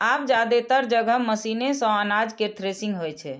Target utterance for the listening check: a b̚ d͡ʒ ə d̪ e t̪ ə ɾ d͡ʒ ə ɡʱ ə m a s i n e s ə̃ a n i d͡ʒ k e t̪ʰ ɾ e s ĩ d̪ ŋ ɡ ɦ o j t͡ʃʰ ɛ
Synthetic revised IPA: a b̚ d͡ʒ a d̪ e t̪ ə ɾ d͡ʒ ə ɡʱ ə m ə s i n e s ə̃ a n a d͡ʒ k e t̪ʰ ɾ e s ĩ ŋ ɡ ɦ o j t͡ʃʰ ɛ